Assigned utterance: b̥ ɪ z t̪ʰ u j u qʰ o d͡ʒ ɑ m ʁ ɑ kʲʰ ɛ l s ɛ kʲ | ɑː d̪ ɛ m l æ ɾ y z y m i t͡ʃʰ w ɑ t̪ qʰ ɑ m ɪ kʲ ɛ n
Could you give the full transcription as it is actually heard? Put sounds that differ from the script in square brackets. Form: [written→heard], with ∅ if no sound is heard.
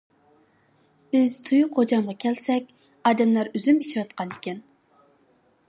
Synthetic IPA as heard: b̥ ɪ z t̪ʰ u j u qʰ o d͡ʒ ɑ m ʁ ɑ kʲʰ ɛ l s ɛ kʲ | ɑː d̪ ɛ m l æ ɾ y z y m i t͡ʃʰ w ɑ t̪ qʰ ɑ [m→n] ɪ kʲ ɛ n